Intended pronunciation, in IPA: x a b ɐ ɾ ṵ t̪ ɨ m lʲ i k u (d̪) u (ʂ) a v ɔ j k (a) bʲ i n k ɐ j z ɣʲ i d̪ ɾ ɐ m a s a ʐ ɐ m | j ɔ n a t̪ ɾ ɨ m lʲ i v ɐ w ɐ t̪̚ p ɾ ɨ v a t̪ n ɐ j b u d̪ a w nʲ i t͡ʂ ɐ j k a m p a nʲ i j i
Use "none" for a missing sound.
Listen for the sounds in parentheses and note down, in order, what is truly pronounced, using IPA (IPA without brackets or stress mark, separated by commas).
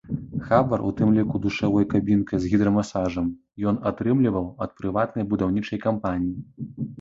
d̪, ʂ, a